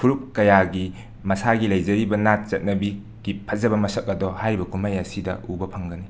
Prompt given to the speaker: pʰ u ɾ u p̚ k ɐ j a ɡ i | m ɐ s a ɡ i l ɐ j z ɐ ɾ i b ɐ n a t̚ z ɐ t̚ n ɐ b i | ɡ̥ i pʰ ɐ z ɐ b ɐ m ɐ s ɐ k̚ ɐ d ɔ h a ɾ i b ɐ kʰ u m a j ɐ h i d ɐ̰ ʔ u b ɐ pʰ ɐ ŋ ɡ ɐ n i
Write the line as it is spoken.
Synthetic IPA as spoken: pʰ u ɾ u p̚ k ɐ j a ɡ i | m ɐ s a ɡ i l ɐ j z ɐ ɾ i b ɐ n a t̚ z ɐ t̚ n ɐ b i | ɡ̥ i pʰ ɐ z ɐ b ɐ m ɐ s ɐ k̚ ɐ d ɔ h a ɾ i b ɐ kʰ u m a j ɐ s i d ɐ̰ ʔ u b ɐ pʰ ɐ ŋ ɡ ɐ n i